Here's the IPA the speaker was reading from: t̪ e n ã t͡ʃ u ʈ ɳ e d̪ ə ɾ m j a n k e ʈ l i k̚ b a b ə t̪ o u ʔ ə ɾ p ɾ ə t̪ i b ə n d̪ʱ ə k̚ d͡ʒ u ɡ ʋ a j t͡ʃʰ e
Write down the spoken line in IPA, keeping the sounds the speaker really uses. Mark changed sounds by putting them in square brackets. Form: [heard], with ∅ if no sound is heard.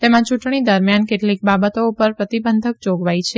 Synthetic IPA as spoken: t̪ e [m] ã t͡ʃ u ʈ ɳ [i] d̪ ə ɾ m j a n k e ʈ l i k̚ b a b ə t̪ o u [p] ə ɾ p ɾ ə t̪ i b ə n d̪ʱ ə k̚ d͡ʒ [o] ɡ ʋ a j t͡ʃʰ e